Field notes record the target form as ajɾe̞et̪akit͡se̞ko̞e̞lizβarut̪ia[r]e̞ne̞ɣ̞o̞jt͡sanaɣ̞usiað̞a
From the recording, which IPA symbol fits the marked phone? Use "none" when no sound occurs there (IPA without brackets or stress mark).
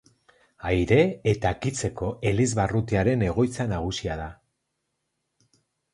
ɾ